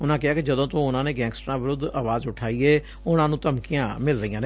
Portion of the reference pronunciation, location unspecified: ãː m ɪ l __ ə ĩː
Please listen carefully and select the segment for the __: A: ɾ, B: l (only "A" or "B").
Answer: A